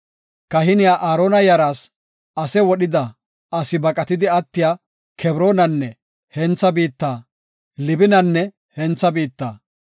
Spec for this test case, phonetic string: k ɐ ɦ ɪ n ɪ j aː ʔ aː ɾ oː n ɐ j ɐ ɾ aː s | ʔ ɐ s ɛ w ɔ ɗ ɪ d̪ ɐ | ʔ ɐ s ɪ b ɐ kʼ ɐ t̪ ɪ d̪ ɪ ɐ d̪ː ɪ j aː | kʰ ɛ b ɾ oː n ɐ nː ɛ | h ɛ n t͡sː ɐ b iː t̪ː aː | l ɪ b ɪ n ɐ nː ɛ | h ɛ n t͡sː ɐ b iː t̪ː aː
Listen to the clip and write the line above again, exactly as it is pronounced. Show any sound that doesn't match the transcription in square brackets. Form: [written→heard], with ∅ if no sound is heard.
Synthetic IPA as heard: k ɐ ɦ ɪ n ɪ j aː ʔ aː ɾ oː n ɐ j ɐ ɾ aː s | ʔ ɐ s ɛ w ɔ ɗ ɪ d̪ ɐ | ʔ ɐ s ɪ b ɐ kʼ ɐ t̪ ɪ d̪ ɪ ɐ [d̪ː→t̪ː] ɪ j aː | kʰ ɛ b ɾ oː n ɐ nː ɛ | h ɛ n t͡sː ɐ b iː t̪ː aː | l ɪ b ɪ n ɐ nː ɛ | h ɛ n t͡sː ɐ b iː t̪ː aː